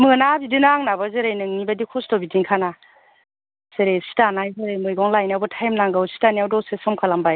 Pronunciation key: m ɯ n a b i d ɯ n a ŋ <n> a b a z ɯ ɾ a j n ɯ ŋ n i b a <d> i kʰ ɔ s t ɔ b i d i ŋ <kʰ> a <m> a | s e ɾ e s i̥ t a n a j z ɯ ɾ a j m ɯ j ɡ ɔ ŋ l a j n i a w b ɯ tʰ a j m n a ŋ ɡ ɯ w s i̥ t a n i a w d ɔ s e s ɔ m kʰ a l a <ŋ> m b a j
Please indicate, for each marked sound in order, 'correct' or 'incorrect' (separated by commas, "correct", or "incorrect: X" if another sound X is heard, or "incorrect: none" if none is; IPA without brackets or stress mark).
correct, correct, correct, incorrect: n, incorrect: none